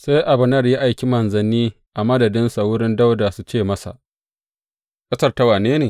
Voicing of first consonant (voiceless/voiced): voiceless